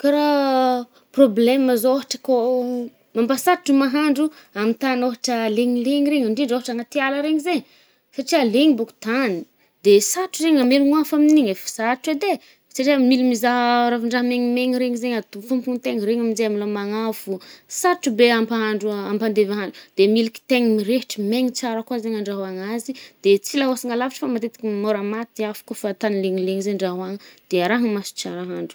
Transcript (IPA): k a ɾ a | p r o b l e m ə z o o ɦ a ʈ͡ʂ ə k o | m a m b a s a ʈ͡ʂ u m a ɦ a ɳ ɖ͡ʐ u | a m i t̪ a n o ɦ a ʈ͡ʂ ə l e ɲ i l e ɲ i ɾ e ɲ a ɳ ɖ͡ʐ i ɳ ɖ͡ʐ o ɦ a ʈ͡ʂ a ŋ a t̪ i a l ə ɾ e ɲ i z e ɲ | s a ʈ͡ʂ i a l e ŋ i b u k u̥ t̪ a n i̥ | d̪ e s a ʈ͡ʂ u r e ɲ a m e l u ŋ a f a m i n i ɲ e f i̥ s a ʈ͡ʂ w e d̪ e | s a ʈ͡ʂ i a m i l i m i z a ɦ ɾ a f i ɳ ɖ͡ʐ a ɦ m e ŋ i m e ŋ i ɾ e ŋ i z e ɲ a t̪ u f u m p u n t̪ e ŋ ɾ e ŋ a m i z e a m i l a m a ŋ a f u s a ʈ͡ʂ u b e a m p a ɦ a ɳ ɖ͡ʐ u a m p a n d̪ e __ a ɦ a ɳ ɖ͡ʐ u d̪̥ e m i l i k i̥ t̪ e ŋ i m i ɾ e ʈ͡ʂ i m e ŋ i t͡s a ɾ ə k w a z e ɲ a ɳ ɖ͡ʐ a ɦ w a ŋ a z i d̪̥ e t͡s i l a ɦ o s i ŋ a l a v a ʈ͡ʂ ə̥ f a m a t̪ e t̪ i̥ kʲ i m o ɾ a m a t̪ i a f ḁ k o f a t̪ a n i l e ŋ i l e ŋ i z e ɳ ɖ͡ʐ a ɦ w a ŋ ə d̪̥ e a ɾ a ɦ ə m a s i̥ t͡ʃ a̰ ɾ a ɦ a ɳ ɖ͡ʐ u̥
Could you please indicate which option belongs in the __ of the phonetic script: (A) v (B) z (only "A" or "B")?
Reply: A